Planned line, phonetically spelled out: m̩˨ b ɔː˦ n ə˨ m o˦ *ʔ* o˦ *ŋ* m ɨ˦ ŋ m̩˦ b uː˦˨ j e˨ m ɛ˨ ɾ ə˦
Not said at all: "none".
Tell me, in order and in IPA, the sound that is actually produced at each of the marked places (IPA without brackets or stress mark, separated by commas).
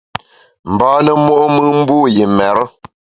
ʔ, none